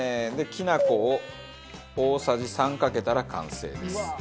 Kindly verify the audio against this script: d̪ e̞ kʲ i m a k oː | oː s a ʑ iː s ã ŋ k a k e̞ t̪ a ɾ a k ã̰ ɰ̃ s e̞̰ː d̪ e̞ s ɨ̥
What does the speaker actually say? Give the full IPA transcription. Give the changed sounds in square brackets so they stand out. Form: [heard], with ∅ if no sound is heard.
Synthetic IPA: d̪ e̞ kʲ i [n] a k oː | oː s a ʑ [i] s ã ŋ k a k e̞ t̪ a ɾ a k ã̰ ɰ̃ s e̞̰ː d̪ e̞ s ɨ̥